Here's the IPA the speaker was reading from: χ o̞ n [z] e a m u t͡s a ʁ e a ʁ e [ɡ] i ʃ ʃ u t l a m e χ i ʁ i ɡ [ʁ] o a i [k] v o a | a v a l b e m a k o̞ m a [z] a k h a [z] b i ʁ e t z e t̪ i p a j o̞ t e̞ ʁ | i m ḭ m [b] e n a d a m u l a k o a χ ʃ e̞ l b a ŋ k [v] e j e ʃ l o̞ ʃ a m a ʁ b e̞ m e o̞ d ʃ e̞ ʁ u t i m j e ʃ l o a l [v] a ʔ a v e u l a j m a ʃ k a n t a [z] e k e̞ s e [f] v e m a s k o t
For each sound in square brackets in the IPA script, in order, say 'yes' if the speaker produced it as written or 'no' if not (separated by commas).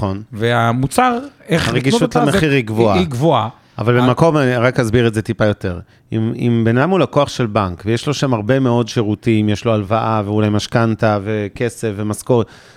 no, yes, no, no, no, yes, yes, yes, yes, no, yes